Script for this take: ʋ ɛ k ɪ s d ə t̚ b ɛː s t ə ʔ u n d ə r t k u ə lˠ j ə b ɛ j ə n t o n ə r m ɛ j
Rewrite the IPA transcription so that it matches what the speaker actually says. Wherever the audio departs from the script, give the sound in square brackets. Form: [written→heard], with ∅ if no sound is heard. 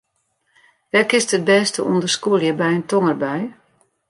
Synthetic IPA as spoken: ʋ ɛ k ɪ s [d→t] ə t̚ b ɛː s t ə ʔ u n d ə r [t→s] k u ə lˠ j ə b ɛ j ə n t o [n→ŋ] ə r [m→b] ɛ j